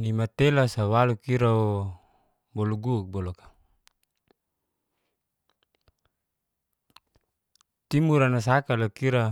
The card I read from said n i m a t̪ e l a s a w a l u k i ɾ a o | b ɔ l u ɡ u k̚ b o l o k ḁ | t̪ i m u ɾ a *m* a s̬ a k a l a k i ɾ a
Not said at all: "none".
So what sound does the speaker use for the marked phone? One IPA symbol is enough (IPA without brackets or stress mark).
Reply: n